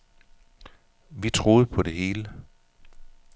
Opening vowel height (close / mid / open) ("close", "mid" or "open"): close